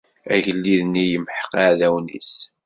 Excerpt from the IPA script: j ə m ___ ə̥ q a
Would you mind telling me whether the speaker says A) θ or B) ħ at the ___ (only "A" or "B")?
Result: B